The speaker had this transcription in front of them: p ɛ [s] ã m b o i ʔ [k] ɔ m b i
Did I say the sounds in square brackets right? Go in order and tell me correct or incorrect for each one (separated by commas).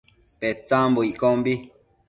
incorrect, correct